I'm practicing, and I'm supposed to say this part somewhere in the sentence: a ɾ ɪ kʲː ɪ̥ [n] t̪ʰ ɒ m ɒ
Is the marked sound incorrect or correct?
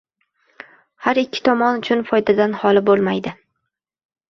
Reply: incorrect